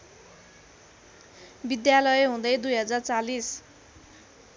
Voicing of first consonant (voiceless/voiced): voiced